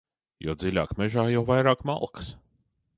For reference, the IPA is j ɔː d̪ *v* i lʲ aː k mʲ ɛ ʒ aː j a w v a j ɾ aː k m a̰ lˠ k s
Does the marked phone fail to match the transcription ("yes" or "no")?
yes